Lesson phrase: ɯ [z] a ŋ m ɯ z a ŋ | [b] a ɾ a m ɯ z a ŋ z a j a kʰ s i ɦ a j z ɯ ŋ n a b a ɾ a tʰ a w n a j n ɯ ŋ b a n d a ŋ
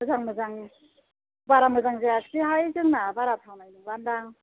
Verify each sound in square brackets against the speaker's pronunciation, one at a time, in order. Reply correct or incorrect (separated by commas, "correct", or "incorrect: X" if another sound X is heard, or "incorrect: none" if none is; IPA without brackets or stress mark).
correct, correct